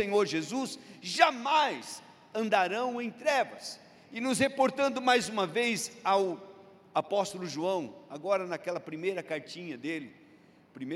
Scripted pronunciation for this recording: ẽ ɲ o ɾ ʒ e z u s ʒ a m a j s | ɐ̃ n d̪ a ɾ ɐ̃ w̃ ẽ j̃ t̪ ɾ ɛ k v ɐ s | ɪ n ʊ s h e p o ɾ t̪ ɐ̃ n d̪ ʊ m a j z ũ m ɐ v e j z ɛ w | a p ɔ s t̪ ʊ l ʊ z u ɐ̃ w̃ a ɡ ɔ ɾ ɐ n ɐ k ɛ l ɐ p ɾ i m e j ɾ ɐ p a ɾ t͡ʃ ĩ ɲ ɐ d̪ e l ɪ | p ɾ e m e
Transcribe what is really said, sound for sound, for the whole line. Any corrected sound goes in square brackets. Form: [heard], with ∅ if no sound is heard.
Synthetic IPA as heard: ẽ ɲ o ɾ ʒ e z u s ʒ a m a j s | ɐ̃ n d̪ a ɾ ɐ̃ w̃ ẽ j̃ t̪ ɾ ɛ [∅] v ɐ s | ɪ n ʊ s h e p o ɾ t̪ ɐ̃ n d̪ ʊ m a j z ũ m ɐ v e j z [a] w | a p ɔ s t̪ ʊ l ʊ [ʒ] u ɐ̃ w̃ a ɡ ɔ ɾ ɐ n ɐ k ɛ l ɐ p ɾ i m e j ɾ ɐ [k] a ɾ t͡ʃ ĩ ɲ ɐ d̪ e l ɪ | p ɾ [i] m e